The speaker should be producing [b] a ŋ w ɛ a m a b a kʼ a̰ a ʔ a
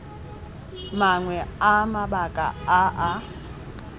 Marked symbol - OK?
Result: no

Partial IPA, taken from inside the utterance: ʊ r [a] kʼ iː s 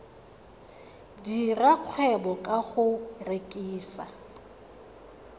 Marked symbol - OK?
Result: no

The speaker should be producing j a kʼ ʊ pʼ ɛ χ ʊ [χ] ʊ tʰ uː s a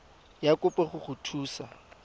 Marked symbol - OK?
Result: yes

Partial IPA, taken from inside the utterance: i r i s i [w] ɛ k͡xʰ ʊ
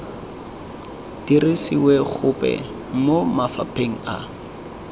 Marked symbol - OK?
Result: yes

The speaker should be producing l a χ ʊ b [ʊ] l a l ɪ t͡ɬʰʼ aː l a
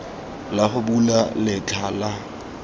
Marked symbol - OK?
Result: no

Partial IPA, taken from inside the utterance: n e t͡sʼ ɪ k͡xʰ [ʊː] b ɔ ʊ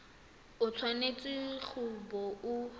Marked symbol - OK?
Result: no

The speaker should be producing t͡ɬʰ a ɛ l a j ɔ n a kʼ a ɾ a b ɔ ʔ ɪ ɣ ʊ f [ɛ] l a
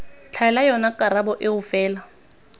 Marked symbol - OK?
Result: no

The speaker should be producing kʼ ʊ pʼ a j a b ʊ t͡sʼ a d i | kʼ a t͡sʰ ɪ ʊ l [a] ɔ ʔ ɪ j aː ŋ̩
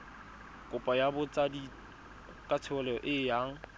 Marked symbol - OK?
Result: no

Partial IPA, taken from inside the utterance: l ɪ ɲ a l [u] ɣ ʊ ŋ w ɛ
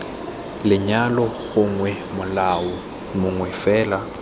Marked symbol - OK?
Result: no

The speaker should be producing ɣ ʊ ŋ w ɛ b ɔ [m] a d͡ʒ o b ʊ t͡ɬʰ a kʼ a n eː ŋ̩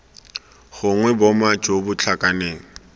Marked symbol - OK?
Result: yes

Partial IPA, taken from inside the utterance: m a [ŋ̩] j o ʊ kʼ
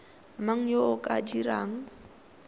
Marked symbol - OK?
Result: yes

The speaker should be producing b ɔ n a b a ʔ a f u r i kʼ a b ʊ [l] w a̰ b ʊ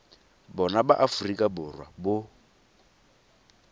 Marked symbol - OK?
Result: no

